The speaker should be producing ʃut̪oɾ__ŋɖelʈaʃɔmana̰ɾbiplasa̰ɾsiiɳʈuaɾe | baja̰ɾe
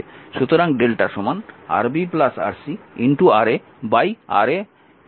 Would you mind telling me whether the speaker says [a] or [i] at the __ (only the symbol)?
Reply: a